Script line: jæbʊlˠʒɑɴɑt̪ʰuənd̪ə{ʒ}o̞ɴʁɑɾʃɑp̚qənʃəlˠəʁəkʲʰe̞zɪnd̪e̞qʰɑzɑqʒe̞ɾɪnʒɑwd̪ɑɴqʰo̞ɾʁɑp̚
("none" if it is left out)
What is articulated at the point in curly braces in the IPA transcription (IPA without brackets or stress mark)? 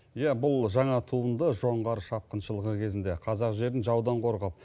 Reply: ʒ